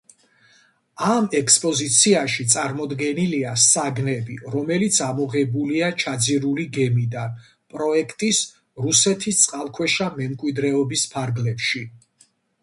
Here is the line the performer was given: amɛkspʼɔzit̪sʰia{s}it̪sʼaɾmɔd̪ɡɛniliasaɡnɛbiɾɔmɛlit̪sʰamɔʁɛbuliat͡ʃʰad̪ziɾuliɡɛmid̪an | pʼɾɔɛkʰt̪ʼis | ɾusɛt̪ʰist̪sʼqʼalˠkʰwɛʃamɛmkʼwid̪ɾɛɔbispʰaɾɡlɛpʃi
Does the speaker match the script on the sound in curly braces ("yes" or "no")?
no